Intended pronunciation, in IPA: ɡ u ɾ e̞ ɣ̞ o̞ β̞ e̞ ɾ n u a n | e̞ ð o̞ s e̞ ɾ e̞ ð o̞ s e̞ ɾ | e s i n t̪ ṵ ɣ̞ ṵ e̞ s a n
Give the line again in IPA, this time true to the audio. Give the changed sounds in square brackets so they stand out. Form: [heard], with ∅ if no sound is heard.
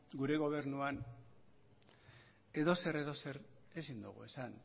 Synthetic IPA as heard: ɡ u ɾ e̞ ɣ̞ o̞ β̞ e̞ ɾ n u a n | e̞ ð o̞ s e̞ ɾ e̞ ð o̞ s e̞ ɾ | e s i n [d̪] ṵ ɣ̞ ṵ e̞ s a n